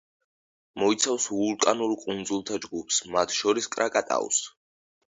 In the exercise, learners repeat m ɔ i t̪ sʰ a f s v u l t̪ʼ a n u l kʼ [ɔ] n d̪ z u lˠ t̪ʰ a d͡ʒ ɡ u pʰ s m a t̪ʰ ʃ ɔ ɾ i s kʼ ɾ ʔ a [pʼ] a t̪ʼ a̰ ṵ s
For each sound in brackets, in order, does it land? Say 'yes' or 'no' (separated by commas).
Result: no, no